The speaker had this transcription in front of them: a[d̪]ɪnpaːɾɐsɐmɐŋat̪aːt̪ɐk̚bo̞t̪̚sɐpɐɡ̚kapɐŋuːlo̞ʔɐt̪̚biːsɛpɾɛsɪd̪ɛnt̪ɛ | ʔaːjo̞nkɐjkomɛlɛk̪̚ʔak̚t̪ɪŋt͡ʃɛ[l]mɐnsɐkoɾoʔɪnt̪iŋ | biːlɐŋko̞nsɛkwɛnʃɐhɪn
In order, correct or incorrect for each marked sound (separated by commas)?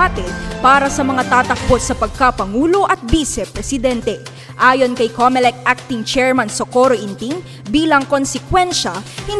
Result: incorrect, incorrect